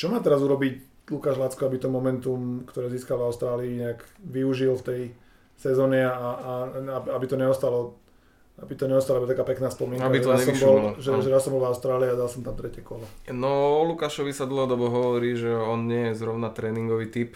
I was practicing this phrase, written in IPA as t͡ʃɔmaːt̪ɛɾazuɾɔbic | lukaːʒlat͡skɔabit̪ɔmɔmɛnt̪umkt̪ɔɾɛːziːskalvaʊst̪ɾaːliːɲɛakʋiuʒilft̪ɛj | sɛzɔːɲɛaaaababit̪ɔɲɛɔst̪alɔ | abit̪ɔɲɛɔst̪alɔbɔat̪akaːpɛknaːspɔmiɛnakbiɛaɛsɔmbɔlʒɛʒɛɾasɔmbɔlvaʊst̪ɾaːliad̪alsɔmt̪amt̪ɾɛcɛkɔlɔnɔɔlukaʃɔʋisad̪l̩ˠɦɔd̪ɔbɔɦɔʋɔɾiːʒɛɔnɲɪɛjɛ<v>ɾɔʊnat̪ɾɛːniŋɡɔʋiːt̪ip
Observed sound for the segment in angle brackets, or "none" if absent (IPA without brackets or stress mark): z